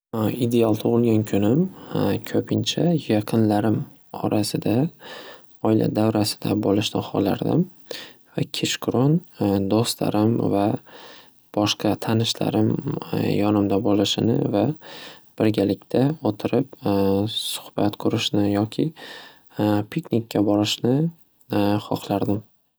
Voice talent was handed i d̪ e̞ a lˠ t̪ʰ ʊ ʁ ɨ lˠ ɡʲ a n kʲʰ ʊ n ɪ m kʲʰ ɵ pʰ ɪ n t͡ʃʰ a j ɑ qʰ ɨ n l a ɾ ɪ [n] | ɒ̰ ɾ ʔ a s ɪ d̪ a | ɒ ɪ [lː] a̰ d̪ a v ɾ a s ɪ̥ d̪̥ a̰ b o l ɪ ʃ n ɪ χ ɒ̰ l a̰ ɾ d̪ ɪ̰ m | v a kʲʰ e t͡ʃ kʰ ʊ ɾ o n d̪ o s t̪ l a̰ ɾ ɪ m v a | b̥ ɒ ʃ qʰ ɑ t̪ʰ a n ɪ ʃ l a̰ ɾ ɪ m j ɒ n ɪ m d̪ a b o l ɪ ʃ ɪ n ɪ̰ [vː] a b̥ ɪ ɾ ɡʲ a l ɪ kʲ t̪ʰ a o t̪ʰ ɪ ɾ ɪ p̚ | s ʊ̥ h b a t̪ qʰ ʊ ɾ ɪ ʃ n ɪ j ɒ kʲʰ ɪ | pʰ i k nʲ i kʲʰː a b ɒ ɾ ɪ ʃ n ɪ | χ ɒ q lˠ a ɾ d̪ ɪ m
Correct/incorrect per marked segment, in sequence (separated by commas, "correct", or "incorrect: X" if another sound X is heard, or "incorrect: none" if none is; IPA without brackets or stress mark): incorrect: m, incorrect: l, incorrect: v